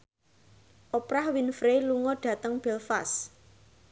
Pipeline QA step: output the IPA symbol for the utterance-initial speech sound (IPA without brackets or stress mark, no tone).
ʔ